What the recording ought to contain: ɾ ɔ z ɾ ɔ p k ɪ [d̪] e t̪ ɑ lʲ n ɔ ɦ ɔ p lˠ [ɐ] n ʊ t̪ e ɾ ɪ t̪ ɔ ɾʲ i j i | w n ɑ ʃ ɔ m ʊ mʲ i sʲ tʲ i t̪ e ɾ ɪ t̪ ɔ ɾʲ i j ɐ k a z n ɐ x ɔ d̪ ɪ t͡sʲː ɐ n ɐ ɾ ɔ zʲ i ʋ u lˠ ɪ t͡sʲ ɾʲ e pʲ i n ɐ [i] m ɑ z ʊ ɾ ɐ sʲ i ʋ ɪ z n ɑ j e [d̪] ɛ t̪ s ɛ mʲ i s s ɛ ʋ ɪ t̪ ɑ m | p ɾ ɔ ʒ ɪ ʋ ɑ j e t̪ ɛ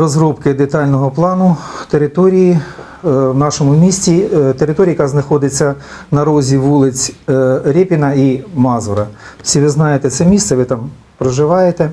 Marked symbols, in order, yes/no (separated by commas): yes, no, yes, no